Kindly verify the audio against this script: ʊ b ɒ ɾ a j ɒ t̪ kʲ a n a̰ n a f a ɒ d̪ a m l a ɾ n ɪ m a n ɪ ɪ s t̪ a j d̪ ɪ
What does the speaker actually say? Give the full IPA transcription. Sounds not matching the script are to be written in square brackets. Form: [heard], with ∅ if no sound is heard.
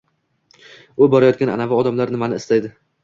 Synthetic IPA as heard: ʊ b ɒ ɾ a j ɒ t̪ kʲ a n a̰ n a [v] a ɒ d̪ a m l a ɾ n ɪ m a n ɪ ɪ s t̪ a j d̪ ɪ